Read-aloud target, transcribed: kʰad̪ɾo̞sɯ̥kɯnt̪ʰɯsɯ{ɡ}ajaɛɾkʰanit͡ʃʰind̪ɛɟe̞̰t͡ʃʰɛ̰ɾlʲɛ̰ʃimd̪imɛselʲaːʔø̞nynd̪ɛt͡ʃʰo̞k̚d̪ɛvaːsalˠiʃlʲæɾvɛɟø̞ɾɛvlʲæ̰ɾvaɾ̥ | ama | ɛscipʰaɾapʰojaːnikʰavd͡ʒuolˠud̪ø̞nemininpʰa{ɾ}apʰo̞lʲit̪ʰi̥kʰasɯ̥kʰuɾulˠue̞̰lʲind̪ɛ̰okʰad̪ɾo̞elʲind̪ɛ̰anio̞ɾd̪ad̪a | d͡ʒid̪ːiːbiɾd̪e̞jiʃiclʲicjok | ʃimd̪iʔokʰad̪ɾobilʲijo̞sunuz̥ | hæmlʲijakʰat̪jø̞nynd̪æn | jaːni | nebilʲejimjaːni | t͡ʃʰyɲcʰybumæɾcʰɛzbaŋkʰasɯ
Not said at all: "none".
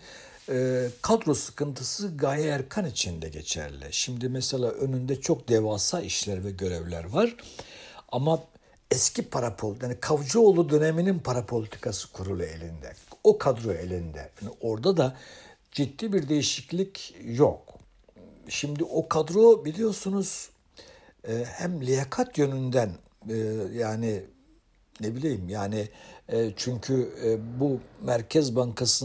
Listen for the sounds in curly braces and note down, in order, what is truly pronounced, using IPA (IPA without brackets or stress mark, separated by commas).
ɡ, ɾ